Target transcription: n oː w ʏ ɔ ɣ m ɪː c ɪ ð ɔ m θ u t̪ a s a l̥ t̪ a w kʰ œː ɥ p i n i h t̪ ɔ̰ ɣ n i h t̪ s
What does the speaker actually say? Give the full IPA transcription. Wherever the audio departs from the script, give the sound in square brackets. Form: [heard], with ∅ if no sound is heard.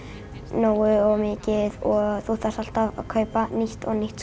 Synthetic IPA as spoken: n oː w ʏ ɔ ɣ m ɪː c ɪ ð ɔ [∅] θ u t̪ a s a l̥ t̪ a [v] kʰ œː ɥ p [a] n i h t̪ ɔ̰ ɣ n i h t̪ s